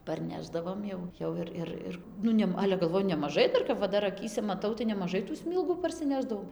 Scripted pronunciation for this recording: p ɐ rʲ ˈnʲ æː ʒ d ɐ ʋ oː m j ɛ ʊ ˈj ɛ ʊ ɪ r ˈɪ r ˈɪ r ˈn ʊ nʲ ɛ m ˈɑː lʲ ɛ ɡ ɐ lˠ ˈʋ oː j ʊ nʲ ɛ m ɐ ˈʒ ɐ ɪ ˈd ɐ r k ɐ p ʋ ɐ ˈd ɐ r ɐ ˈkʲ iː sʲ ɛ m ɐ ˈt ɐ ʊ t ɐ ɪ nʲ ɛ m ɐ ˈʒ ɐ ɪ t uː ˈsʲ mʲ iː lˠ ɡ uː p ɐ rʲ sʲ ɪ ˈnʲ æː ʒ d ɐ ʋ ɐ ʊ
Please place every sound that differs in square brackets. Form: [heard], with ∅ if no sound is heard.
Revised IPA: p ɐ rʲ ˈnʲ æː ʒ d ɐ ʋ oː m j ɛ ʊ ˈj ɛ ʊ ɪ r ˈɪ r ˈɪ r ˈn ʊ nʲ ɛ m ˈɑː lʲ ɛ ɡ ɐ lˠ ˈʋ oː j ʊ nʲ ɛ m ɐ ˈʒ ɐ ɪ ˈd ɐ r k ɐ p ʋ ɐ ˈd ɐ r ɐ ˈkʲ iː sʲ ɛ m ɐ ˈt ɐ ʊ t ɐ ɪ nʲ ɛ m ɐ ˈʒ ɐ ɪ t uː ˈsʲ mʲ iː lˠ ɡ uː p ɐ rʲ sʲ ɪ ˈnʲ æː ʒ d ɐ ʋ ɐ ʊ